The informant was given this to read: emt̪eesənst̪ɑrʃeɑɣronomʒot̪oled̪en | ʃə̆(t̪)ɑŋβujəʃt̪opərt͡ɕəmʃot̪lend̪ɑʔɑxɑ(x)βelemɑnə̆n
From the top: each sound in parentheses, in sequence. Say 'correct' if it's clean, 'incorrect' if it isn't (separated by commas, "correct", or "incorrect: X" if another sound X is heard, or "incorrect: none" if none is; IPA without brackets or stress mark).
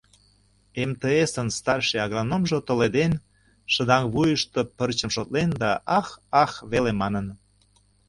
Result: incorrect: d̪, correct